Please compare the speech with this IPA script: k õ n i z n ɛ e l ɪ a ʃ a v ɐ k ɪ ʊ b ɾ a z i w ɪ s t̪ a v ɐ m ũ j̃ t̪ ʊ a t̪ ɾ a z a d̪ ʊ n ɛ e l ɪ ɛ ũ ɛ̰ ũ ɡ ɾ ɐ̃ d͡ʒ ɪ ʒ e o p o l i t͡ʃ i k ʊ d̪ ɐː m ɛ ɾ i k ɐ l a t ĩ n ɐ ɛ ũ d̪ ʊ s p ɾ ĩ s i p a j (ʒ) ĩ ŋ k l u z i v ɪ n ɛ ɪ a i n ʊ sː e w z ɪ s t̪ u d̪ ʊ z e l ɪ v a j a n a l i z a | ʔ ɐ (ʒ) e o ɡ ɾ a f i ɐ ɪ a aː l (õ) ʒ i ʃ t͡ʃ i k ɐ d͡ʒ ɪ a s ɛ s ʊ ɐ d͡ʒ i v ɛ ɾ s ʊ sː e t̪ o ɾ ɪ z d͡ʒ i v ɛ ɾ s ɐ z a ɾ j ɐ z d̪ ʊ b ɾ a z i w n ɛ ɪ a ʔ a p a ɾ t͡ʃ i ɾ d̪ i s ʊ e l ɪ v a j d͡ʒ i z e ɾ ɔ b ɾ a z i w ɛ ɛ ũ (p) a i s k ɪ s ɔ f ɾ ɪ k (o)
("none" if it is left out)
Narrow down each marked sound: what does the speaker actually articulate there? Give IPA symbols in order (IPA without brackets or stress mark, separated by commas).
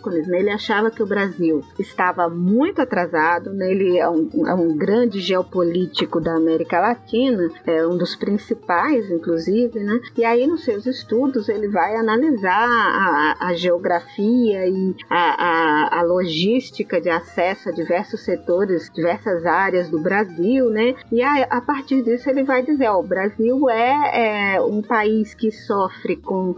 z, ʒ, o, p, õ